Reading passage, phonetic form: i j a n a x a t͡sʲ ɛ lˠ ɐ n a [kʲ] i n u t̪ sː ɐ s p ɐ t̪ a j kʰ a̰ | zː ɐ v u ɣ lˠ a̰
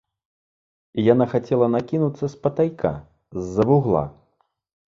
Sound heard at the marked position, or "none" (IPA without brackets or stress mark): kʲ